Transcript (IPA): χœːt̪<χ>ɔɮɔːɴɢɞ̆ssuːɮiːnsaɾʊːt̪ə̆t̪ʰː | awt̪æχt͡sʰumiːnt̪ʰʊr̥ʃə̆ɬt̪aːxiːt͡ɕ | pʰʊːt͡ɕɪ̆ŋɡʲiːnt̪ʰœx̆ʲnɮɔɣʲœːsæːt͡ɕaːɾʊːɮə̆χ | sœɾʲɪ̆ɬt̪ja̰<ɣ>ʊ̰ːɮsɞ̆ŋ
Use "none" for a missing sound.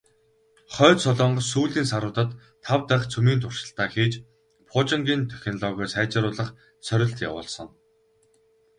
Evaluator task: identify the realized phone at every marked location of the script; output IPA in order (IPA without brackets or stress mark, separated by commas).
s, w